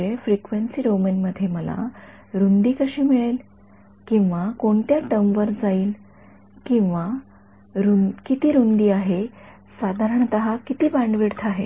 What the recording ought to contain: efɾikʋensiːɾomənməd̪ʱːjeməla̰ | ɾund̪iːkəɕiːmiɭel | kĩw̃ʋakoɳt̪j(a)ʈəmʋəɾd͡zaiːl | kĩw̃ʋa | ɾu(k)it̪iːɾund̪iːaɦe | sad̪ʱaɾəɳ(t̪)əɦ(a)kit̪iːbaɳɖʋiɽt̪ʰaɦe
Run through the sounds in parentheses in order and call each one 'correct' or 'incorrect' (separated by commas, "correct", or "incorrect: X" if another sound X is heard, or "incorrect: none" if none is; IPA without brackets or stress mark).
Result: correct, correct, correct, correct